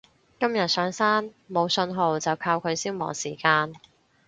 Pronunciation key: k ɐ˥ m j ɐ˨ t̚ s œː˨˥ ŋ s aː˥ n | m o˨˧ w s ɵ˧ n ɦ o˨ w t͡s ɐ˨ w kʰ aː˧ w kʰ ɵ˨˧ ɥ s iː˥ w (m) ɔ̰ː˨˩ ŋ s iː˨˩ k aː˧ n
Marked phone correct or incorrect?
correct